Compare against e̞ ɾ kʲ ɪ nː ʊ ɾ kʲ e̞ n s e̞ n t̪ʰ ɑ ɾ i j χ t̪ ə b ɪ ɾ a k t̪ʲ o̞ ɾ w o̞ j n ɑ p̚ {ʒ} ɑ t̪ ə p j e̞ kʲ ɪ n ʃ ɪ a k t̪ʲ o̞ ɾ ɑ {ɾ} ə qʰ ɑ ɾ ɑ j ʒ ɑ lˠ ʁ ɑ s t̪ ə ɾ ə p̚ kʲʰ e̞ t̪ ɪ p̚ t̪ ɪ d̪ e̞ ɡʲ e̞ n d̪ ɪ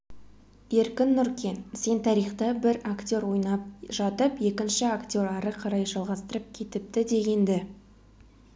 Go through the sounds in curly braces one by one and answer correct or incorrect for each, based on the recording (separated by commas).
correct, correct